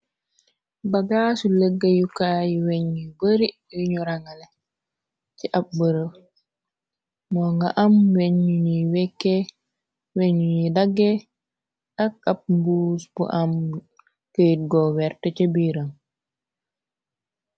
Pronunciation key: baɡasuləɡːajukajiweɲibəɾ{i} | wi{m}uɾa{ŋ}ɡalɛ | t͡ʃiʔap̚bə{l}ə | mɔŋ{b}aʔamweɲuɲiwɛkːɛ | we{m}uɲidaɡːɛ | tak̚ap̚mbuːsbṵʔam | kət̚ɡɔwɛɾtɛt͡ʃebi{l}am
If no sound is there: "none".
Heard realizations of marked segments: i, ɲ, ŋ, ɾ, ɡ, ɲ, ɾ

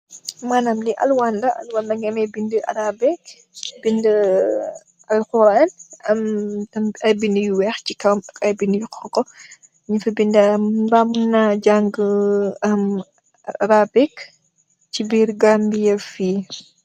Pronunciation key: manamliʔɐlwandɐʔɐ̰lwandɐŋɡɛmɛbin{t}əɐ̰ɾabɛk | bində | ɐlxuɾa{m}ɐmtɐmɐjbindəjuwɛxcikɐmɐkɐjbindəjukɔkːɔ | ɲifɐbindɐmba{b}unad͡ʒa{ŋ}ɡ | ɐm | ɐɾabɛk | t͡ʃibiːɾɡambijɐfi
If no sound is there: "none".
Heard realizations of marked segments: d, n, m, ŋ

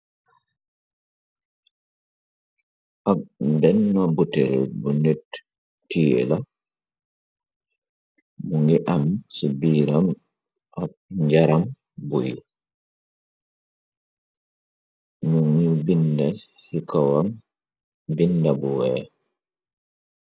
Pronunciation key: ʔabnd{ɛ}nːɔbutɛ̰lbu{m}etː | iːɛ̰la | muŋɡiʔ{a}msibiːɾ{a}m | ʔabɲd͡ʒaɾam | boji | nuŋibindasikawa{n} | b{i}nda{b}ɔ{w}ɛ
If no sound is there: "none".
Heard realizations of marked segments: ɛ, n, a, a, m, i, b, w

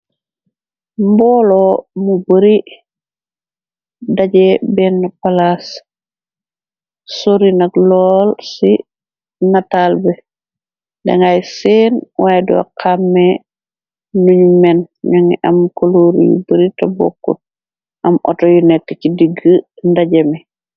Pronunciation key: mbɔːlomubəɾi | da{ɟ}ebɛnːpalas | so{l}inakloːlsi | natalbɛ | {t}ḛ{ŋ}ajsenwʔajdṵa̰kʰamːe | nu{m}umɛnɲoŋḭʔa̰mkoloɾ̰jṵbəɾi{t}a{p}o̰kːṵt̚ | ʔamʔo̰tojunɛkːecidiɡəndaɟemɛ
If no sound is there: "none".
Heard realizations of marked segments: ɟ, ɾ, d, ŋ, ɲ, t, b

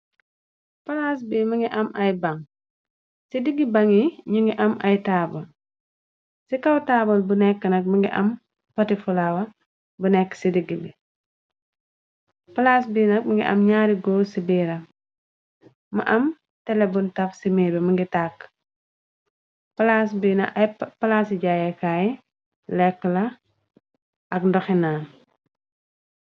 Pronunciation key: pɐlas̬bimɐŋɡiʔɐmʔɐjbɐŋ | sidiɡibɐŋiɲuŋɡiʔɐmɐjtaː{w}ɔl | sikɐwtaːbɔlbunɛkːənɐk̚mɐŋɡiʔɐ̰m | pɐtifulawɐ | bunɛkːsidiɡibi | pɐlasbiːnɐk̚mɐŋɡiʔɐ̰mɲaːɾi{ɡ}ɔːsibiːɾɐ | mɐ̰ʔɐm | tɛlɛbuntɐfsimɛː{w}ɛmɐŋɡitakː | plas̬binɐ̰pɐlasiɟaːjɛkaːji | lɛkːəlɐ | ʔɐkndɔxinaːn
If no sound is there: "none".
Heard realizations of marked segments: b, ɡ, b

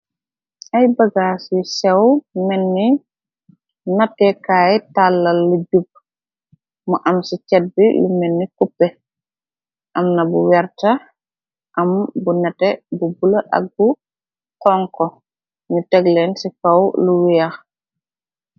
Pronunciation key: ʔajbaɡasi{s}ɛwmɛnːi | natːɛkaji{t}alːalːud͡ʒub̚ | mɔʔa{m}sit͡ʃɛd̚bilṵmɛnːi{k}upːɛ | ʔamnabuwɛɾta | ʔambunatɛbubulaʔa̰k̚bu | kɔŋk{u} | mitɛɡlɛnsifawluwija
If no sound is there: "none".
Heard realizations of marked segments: s, t, m, k, ɔ

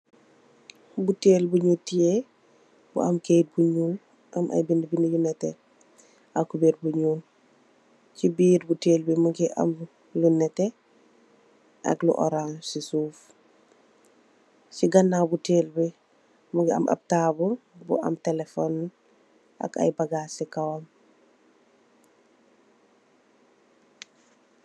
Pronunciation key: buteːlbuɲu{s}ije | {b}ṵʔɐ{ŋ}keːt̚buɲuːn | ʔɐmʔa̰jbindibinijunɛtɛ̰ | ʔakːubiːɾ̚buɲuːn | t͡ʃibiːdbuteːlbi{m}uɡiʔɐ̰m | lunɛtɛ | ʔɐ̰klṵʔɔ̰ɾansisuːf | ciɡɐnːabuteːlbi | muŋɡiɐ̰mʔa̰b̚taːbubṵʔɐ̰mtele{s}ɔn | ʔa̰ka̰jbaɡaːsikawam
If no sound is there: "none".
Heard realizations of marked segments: t, b, m, m, f

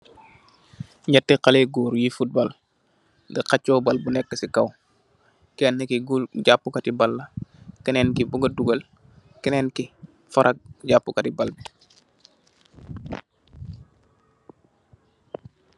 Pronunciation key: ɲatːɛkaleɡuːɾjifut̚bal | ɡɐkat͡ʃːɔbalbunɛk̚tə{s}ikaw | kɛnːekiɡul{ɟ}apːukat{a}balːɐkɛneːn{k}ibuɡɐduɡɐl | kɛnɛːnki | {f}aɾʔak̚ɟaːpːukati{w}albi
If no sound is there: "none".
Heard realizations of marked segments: s, ɟ, i, k, f, b

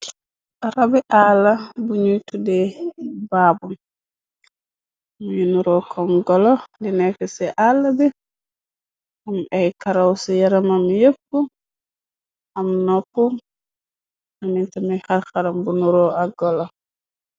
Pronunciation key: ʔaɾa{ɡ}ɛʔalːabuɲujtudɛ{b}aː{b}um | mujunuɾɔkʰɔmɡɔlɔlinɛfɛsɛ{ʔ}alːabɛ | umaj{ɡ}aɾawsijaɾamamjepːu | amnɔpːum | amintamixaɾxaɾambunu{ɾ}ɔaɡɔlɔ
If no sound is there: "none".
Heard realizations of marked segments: b, b, b, ʔ, k, ɾ

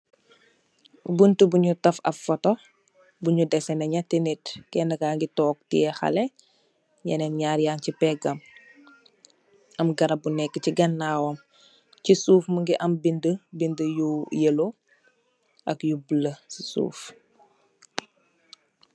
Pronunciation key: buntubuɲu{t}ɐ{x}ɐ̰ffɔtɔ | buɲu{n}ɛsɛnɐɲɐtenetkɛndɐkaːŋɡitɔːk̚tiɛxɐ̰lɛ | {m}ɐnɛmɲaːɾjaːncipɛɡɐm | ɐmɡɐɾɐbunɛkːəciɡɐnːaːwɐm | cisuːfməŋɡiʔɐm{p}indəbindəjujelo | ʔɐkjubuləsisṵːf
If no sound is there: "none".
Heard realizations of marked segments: t, f, d, ɲ, b

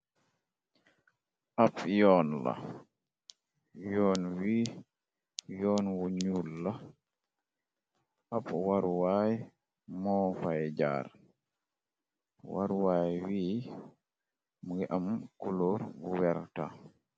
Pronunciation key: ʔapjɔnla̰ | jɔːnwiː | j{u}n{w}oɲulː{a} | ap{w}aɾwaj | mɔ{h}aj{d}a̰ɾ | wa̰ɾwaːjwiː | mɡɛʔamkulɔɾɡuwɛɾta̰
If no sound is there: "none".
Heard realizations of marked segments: ɔ, w, a, w, f, d͡ʒ

